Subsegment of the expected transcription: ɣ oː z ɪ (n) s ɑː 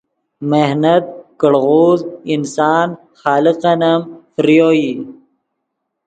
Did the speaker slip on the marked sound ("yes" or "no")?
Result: no